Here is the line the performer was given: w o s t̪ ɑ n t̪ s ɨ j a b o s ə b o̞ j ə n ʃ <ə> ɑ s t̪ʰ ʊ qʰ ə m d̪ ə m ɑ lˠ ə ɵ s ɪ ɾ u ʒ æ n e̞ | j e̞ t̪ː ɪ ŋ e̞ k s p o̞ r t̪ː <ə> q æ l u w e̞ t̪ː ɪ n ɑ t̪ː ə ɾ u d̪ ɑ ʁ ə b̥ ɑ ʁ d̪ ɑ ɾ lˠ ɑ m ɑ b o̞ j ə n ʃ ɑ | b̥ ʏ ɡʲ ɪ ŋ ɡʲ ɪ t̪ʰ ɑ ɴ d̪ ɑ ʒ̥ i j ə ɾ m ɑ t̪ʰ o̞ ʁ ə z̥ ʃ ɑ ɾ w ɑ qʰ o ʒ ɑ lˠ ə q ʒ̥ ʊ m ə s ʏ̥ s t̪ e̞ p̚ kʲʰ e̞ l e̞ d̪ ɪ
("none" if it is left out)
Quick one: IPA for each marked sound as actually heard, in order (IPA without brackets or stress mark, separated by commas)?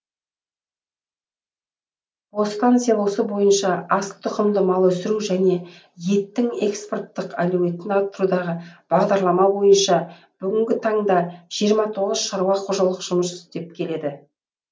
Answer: ɑ, ə